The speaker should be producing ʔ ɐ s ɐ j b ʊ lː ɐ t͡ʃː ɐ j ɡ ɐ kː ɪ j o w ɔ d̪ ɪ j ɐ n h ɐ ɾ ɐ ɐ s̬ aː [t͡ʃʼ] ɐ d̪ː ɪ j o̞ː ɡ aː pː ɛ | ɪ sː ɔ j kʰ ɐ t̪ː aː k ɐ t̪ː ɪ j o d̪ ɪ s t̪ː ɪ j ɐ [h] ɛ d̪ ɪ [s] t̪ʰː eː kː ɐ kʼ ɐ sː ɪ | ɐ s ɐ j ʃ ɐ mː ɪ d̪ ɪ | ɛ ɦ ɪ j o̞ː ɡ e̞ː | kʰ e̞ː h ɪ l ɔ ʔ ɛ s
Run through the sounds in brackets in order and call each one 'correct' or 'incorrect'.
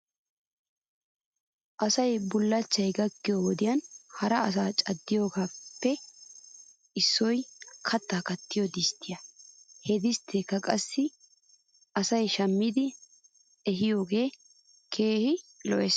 correct, correct, correct

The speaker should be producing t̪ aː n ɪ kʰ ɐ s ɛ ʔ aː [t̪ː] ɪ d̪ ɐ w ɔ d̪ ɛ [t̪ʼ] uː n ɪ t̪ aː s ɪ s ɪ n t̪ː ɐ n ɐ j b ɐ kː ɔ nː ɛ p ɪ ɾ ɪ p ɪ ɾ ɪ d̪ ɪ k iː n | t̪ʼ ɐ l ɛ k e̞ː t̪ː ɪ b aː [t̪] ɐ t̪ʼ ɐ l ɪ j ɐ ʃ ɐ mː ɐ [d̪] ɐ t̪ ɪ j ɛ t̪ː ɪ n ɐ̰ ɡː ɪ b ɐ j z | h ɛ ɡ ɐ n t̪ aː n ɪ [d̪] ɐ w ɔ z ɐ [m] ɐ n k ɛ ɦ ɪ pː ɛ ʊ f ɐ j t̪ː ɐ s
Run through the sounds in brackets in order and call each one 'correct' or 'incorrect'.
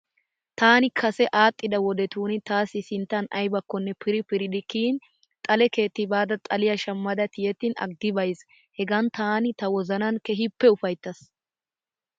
incorrect, incorrect, incorrect, correct, incorrect, incorrect

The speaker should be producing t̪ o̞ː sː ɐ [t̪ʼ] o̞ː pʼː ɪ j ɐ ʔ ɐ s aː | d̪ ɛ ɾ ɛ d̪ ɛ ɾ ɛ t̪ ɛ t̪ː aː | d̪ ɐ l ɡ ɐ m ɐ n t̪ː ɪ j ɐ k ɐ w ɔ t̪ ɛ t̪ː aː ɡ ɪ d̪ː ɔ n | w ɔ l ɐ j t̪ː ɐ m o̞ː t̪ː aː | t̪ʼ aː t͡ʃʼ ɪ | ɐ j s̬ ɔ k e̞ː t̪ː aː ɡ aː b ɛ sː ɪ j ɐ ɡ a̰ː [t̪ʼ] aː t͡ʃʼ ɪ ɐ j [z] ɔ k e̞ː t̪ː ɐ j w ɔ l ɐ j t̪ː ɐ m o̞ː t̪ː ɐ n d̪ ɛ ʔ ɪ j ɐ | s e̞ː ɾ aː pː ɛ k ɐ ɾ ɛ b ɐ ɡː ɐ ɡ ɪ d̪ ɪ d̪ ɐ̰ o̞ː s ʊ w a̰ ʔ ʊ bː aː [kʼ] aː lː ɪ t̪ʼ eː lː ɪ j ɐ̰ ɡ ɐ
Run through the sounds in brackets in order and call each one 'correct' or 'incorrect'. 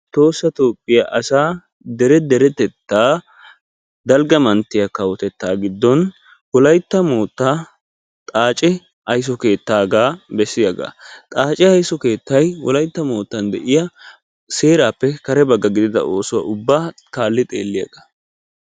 incorrect, correct, incorrect, incorrect

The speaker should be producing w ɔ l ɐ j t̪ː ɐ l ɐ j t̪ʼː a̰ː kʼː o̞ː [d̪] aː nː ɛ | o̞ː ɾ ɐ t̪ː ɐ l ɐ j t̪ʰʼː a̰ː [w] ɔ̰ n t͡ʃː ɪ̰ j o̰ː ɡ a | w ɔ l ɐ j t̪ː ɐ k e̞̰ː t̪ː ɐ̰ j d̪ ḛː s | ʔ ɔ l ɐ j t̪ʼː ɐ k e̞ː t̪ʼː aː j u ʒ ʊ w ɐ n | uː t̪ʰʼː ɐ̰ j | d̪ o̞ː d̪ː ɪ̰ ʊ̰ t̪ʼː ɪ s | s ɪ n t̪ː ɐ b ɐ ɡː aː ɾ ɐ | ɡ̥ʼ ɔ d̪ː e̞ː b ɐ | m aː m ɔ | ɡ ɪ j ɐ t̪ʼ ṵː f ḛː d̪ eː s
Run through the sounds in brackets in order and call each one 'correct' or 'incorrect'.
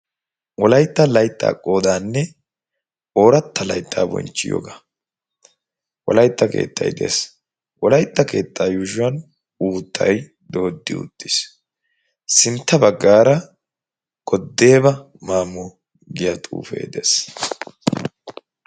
correct, incorrect

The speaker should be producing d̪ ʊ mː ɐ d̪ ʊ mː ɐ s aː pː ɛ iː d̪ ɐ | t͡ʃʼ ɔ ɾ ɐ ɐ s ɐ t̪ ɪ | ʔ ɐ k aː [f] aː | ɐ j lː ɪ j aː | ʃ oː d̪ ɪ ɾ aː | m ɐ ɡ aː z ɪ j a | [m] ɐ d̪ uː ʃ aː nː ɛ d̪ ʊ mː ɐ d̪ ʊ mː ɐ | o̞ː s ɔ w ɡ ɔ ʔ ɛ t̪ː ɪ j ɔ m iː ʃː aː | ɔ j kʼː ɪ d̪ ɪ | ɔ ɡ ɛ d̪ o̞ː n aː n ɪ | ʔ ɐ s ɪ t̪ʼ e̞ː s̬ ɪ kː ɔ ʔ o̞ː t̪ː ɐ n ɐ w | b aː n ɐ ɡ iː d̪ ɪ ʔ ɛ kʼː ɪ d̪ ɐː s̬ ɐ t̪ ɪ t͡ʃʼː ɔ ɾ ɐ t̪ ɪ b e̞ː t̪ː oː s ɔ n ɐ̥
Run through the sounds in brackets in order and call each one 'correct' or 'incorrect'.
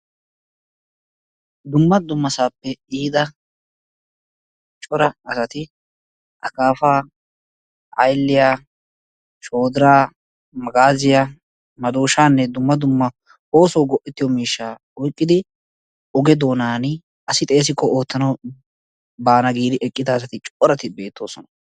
correct, correct

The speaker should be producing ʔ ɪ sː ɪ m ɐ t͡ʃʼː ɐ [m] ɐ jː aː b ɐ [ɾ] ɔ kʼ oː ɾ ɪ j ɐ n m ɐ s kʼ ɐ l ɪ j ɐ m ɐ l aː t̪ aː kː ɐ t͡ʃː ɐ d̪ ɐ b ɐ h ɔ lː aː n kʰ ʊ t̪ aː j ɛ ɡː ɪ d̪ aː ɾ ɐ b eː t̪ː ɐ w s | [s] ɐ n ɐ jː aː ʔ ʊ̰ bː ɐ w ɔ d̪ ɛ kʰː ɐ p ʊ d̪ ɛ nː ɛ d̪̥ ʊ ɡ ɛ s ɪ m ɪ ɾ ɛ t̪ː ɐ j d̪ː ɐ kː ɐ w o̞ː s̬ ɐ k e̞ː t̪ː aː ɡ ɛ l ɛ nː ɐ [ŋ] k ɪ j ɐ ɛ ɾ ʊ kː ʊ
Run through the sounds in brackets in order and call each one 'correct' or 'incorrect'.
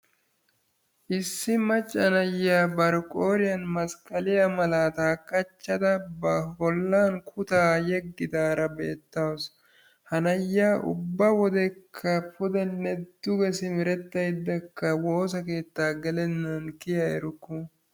incorrect, correct, incorrect, incorrect

